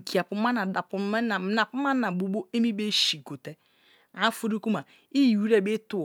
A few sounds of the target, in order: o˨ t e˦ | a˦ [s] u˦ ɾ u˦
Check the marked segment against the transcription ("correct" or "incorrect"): incorrect